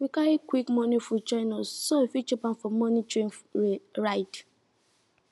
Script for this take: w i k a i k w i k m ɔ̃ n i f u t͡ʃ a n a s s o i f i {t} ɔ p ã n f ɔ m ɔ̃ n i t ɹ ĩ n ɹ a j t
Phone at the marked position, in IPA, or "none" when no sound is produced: t͡ʃ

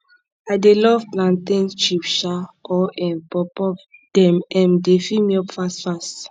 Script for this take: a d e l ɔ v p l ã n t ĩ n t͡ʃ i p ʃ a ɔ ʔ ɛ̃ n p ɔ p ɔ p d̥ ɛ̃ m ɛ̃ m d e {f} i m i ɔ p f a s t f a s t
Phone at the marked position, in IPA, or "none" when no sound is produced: f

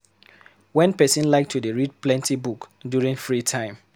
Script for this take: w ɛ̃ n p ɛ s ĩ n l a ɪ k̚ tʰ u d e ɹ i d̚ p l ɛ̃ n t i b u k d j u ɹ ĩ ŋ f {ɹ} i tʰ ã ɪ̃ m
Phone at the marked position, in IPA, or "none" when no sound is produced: ɹ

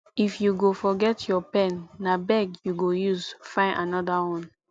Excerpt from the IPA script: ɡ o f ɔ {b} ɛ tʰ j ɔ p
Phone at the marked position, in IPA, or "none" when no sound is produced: ɡ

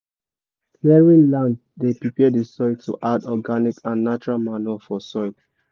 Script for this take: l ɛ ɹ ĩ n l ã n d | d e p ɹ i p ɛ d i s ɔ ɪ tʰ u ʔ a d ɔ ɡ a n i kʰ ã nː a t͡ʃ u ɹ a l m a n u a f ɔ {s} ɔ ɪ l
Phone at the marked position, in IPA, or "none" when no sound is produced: s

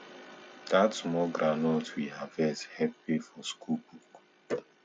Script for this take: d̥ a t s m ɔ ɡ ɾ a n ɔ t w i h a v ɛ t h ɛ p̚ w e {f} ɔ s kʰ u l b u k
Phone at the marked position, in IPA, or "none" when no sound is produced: f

